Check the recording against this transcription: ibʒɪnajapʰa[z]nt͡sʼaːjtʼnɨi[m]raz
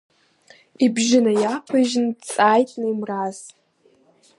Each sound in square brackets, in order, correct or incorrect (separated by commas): incorrect, correct